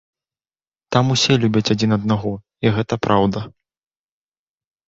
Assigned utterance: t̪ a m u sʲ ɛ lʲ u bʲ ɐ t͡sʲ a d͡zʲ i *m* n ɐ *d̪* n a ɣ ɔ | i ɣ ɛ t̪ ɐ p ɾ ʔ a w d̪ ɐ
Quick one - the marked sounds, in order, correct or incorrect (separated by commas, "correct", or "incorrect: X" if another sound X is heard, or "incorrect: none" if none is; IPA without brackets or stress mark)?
incorrect: none, correct